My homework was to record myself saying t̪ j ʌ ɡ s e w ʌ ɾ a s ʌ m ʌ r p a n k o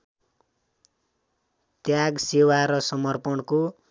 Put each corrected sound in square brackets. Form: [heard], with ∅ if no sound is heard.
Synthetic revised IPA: t̪ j [a] ɡ s e w [a] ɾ [ʌ] s ʌ m ʌ r p [ʌ] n k o

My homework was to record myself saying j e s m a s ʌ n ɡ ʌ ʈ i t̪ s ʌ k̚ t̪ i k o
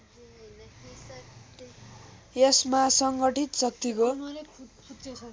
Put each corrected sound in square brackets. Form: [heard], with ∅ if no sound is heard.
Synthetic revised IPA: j e s m a s ʌ [ŋ] ɡ ʌ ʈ i t̪ s ʌ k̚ t̪ i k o

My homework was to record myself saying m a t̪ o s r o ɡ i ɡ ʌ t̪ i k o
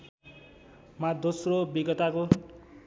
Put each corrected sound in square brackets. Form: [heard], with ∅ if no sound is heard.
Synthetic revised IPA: m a [d̪] o s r o [b] i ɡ ʌ t̪ [a] k o

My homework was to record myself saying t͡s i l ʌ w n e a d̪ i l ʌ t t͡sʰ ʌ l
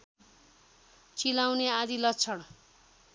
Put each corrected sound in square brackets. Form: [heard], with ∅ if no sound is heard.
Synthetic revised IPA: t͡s i l [a] w n e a d̪ i l ʌ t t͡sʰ ʌ [ɽ]

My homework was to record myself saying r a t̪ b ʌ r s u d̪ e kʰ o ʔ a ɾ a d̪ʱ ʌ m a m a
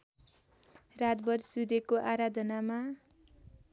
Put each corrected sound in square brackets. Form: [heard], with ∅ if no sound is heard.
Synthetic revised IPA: r a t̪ b ʌ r s u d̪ e [k] o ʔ a ɾ a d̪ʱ ʌ [n] a m a

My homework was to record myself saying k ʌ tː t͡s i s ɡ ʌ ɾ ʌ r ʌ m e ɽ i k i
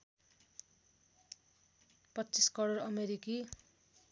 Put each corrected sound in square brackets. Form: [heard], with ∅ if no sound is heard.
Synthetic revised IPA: [p] ʌ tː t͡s i s [k] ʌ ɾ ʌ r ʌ m e [ɾ] i k i

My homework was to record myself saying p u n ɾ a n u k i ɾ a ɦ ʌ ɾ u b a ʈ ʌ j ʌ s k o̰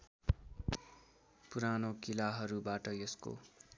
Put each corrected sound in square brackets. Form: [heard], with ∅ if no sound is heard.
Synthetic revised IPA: p u [∅] ɾ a n [o] k i [l] a ɦ ʌ ɾ u b a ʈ ʌ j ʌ s k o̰

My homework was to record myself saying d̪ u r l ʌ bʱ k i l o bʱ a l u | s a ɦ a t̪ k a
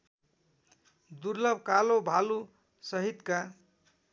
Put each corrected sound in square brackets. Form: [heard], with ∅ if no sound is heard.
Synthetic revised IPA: d̪ u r l ʌ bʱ k [a] l o bʱ a l u | s [ʌ] ɦ [i] t̪ k a

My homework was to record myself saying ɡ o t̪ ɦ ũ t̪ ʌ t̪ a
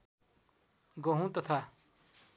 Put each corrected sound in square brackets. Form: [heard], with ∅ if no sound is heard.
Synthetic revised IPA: ɡ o [∅] ɦ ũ t̪ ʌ [t̪ʰ] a

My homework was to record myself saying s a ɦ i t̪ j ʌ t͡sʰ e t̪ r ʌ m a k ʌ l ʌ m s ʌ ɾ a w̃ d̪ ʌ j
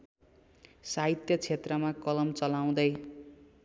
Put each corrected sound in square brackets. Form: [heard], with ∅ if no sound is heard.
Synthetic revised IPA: s a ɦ i t̪ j ʌ t͡sʰ e t̪ r ʌ m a k ʌ l ʌ m [t͡s] ʌ [l] a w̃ d̪ ʌ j

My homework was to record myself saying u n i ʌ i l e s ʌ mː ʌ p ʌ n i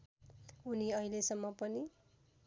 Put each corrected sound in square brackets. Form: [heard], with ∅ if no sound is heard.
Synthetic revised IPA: u n i ʌ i l e s ʌ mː ʌ p ʌ n i

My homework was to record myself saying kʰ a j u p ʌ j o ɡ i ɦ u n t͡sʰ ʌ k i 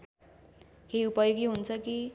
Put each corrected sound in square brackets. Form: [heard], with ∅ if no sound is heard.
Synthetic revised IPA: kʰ [e] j u p ʌ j o ɡ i ɦ u n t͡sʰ ʌ k i

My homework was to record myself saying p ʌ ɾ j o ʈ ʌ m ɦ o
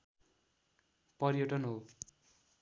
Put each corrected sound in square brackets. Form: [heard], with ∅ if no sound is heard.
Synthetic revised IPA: p ʌ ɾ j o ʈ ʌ [n] ɦ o

